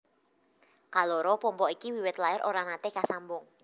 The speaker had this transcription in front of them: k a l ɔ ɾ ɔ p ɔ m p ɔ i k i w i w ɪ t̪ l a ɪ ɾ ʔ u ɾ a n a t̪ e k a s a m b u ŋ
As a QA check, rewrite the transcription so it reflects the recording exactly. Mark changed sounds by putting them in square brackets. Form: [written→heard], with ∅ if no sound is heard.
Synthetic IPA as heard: k a l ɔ ɾ ɔ p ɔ m p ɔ i k i w i w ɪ t̪ l a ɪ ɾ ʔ [u→o] ɾ a n a t̪ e k a s a m b [u→ʊ] ŋ